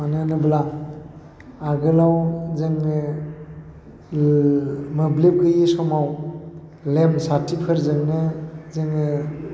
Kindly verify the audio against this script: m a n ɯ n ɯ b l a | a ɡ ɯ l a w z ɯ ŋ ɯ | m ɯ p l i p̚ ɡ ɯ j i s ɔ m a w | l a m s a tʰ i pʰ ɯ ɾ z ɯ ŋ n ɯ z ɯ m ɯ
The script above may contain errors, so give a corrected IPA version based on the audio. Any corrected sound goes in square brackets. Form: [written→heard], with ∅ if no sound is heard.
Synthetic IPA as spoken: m a n ɯ n ɯ b l a | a ɡ ɯ l a w z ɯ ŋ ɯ | m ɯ [p→b] l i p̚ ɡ ɯ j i s ɔ m a w | l [a→e] m s a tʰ i pʰ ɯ ɾ z ɯ ŋ n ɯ z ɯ [m→ŋ] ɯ